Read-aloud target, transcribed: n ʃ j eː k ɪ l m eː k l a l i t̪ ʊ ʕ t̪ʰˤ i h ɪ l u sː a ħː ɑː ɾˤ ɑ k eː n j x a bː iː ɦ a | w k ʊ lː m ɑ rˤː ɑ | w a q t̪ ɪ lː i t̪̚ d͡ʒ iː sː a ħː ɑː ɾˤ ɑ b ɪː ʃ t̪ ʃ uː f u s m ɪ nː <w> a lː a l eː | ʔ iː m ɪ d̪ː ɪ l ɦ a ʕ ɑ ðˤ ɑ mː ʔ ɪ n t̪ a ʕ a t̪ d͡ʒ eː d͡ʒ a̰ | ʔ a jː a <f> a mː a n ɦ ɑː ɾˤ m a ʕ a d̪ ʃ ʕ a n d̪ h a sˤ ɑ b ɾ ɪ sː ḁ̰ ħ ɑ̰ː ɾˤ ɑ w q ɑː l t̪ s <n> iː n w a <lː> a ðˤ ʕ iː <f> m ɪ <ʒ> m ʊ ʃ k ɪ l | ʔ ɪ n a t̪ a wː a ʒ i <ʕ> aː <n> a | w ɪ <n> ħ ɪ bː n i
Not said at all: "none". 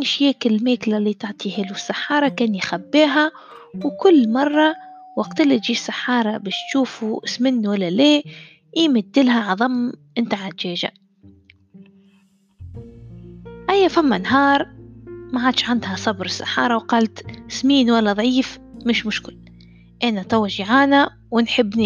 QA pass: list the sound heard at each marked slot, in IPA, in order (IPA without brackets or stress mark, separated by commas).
w, f, m, lː, f, ʃ, ʕ, n, n